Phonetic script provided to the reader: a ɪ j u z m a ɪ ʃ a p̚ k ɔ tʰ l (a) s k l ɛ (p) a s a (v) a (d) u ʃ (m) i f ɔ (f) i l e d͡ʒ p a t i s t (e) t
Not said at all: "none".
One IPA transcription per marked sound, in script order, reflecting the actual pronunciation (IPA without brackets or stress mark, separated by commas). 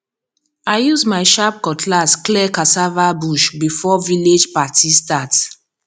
a, k, v, b, b, v, a